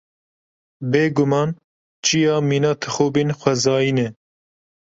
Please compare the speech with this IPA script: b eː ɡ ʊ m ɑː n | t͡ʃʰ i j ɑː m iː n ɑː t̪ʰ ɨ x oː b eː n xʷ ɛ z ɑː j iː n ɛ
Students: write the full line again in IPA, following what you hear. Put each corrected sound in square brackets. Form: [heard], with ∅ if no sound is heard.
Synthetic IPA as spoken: b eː ɡ ʊ m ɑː n | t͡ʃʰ i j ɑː m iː n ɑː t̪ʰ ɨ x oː b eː n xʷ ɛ z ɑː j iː n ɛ